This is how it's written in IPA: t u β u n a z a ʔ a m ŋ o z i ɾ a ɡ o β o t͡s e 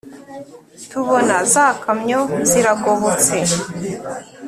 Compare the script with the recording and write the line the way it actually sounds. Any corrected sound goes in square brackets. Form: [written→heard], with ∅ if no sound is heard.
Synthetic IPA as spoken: t u β [u→o] n a z a [ʔ→k] a m [ŋ→ɲ] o z i ɾ a ɡ o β o t͡s e